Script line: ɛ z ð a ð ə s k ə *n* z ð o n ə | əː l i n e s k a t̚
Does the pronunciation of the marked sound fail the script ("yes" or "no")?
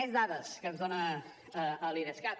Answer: no